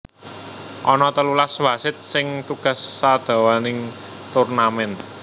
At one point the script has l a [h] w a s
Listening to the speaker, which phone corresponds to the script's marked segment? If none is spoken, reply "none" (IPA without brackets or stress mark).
s